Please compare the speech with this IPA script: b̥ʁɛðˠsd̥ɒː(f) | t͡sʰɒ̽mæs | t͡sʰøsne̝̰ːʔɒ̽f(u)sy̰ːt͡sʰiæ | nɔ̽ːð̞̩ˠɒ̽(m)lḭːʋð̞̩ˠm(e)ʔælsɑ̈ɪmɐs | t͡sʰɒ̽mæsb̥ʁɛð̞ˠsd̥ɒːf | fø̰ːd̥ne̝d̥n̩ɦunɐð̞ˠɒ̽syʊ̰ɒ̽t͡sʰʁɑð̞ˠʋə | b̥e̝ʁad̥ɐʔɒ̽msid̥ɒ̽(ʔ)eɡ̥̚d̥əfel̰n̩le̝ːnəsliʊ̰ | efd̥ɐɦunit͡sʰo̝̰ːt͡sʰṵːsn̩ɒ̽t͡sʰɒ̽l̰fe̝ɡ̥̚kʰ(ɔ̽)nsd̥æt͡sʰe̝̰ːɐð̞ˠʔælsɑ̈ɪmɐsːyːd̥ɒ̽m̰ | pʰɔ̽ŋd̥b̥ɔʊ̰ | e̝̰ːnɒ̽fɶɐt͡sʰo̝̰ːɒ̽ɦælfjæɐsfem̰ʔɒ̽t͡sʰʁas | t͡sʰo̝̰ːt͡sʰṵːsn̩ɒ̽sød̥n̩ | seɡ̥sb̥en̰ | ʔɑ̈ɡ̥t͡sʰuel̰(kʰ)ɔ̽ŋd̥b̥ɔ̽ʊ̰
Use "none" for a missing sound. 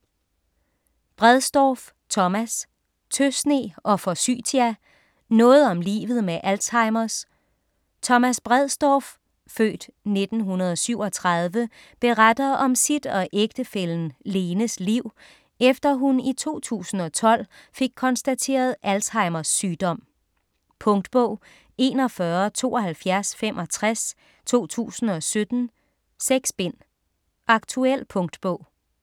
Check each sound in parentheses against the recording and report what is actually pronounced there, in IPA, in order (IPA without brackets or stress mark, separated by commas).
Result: f, ɒ, m, e, ʔ, ɒ̽, pʰ